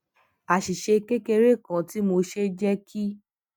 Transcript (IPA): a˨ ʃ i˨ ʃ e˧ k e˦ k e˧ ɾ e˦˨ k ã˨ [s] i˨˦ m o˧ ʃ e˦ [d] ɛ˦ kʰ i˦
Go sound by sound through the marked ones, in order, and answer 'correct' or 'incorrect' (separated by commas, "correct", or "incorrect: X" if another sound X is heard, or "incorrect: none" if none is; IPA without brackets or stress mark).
incorrect: t, incorrect: d͡ʒ